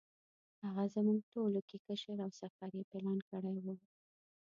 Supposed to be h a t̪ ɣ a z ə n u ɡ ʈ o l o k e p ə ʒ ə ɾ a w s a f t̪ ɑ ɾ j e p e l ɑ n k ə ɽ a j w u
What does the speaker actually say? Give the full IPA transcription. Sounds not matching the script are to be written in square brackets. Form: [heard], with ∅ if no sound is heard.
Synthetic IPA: h a [∅] ɣ a z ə [m] u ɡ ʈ o l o k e [k] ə [ʃ] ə ɾ a w s a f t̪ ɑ ɾ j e p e l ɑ n k ə ɽ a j w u